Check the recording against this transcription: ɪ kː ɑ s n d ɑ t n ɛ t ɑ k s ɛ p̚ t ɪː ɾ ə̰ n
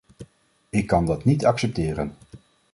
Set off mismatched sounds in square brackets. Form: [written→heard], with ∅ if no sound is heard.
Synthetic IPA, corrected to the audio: ɪ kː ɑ [s→∅] n d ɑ t n [ɛ→i] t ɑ k s ɛ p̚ t ɪː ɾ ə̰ n